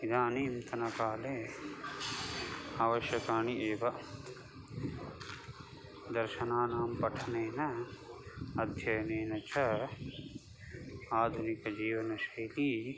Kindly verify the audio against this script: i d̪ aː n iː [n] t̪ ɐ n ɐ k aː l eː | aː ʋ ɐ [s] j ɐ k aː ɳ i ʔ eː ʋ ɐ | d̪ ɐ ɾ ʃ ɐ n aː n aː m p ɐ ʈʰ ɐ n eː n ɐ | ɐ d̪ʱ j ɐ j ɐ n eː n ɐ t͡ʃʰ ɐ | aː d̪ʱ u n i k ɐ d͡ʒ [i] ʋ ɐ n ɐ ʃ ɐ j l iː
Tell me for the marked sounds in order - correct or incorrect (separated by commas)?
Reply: incorrect, incorrect, incorrect